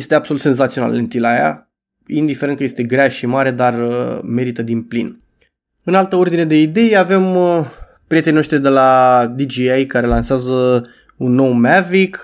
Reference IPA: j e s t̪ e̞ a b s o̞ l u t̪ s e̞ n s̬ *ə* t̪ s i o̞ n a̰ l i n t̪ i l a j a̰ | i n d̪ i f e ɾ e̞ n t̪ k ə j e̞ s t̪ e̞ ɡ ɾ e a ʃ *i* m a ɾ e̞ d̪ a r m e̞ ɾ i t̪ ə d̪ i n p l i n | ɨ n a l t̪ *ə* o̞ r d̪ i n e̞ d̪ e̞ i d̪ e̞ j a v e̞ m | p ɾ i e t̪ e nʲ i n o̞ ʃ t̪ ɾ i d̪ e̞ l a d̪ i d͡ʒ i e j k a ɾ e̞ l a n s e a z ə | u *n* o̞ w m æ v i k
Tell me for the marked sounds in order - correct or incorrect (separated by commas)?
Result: incorrect, correct, correct, incorrect